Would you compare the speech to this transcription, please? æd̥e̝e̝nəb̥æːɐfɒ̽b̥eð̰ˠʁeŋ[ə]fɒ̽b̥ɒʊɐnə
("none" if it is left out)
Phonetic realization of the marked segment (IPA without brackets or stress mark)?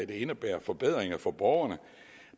ɐ